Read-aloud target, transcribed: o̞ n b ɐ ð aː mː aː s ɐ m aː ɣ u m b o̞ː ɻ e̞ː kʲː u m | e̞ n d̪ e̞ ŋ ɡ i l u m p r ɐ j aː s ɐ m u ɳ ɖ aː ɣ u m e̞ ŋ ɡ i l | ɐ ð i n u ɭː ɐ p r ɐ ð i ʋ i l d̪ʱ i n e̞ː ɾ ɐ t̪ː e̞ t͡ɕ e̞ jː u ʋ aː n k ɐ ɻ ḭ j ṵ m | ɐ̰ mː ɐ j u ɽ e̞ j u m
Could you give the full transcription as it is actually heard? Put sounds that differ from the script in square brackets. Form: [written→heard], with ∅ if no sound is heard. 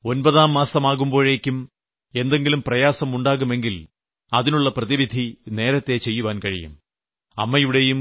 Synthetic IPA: o̞ n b ɐ ð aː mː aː s ɐ m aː ɣ u m b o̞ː ɻ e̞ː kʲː u m | e̞ n d̪ e̞ ŋ ɡ i l u m p r ɐ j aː s ɐ m u ɳ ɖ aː ɣ u m e̞ ŋ ɡ i l | ɐ ð i n u ɭː ɐ p r ɐ ð i ʋ i [l→∅] d̪ʱ i n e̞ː ɾ ɐ t̪ː e̞ t͡ɕ e̞ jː u ʋ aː n k ɐ ɻ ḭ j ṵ m | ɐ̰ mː ɐ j u ɽ e̞ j u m